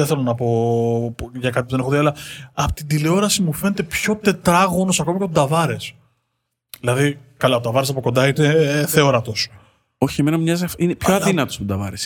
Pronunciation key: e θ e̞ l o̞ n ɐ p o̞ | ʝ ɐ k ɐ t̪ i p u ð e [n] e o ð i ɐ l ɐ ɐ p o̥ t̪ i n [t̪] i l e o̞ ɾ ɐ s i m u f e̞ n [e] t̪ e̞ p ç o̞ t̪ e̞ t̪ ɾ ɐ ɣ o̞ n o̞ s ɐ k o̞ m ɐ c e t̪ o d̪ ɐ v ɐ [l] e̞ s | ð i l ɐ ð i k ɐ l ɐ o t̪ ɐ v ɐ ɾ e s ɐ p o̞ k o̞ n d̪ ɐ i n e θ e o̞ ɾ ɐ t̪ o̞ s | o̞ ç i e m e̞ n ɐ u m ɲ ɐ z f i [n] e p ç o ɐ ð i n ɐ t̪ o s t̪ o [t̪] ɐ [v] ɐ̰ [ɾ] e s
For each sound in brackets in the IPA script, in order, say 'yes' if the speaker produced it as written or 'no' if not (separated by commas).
yes, no, yes, no, yes, no, yes, yes